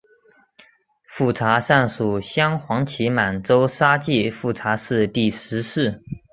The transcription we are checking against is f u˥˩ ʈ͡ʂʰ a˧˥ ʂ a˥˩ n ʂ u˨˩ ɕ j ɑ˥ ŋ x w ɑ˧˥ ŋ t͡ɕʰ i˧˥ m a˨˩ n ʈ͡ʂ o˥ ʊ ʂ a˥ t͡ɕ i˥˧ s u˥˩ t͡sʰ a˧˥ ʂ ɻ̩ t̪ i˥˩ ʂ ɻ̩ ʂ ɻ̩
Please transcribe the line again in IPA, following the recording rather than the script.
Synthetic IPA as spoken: f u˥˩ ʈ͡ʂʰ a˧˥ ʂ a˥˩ n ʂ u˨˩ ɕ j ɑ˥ ŋ x w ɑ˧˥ ŋ t͡ɕʰ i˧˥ m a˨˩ n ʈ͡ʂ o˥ ʊ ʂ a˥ t͡ɕ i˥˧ f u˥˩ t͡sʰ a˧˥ ʂ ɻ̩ t̪ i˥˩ ʂ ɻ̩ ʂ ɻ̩